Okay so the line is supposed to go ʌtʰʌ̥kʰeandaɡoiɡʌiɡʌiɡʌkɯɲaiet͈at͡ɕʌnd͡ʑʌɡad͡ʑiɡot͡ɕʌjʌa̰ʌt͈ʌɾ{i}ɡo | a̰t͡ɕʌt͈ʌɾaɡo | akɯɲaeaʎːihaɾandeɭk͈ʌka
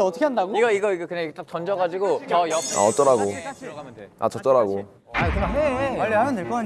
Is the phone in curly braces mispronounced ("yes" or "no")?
yes